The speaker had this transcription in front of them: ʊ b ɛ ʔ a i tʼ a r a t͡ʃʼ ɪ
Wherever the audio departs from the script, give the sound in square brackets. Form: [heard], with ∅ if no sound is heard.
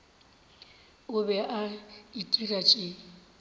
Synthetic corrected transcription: ʊ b ɛ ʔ a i tʼ [i] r a t͡ʃʼ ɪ